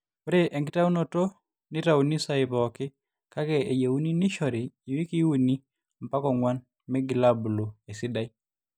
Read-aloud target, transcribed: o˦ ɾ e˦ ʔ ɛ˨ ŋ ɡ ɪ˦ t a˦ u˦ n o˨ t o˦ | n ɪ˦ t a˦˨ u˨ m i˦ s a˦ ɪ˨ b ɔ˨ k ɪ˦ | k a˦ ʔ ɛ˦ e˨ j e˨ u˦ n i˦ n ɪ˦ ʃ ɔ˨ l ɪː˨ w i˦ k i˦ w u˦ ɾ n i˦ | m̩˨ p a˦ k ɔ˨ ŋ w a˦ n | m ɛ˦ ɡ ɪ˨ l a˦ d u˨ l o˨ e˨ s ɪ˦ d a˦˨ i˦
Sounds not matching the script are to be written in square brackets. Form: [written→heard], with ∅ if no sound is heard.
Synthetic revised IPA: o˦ ɾ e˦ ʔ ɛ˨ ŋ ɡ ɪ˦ t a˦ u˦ n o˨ t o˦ | n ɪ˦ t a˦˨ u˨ [m→n] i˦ s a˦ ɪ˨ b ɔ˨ k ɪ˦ | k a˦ [ʔ→k] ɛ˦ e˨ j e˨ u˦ n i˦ n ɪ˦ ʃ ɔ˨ [l→ɾ] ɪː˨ w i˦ k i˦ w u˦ [ɾ→∅] n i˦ | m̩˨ p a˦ k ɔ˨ ŋ w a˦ n | m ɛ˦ ɡ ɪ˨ l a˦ [d→b] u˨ l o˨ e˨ s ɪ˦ d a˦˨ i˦